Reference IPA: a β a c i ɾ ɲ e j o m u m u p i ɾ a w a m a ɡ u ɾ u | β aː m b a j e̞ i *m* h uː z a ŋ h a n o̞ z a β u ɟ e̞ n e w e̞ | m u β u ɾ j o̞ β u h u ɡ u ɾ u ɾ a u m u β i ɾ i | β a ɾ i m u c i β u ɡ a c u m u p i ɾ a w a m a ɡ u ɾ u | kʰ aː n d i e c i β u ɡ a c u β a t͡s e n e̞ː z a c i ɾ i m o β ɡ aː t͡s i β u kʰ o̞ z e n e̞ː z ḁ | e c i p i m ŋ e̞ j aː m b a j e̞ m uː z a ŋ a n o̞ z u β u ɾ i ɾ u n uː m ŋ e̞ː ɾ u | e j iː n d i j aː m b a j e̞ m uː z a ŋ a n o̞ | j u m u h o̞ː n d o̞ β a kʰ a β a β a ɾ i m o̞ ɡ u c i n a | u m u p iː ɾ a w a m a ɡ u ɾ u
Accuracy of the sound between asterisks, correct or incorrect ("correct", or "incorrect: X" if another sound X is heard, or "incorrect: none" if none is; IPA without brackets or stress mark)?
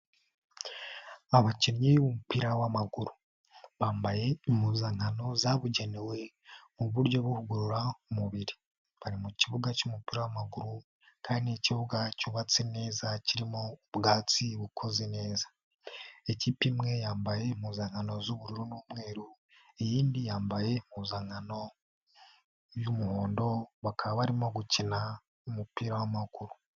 correct